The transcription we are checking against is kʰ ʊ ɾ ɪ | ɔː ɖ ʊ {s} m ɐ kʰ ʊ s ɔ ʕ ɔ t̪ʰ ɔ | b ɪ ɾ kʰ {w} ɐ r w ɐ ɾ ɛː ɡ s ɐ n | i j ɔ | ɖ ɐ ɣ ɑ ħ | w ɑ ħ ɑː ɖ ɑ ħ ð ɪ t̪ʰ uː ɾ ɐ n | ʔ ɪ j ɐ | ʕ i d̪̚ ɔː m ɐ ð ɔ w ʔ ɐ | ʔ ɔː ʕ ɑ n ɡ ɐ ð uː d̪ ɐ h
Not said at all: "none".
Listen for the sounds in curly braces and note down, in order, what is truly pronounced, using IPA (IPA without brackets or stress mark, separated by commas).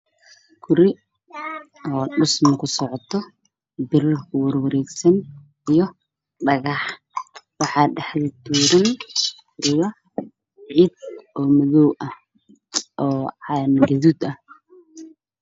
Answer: s, w